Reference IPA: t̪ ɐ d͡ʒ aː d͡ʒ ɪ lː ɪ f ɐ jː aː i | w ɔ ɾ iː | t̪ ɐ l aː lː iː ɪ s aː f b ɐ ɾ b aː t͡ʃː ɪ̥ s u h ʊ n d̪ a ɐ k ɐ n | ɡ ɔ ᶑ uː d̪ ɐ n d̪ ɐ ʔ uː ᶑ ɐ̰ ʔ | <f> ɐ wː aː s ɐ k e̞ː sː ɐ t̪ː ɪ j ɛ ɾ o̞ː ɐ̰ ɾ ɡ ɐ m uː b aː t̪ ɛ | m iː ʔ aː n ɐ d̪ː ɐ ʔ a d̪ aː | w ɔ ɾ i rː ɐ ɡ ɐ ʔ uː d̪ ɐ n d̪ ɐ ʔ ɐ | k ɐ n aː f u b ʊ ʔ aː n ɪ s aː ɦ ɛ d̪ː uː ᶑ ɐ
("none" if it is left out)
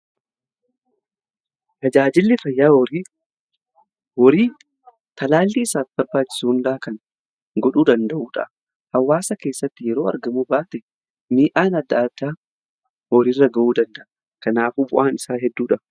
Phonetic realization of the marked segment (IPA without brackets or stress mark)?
h